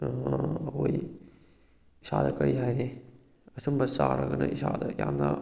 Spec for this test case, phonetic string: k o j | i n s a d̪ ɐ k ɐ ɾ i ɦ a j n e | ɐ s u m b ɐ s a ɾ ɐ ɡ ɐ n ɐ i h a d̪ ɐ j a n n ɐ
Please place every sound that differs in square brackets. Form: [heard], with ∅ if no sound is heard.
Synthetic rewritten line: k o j | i [∅] s a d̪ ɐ k ɐ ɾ i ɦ a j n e | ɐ s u m b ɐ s a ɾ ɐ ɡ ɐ n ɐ i [s] a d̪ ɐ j a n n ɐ